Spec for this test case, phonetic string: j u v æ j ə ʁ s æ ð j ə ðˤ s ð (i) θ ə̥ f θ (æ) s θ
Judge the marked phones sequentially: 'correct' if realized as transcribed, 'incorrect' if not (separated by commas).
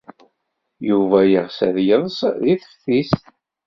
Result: correct, incorrect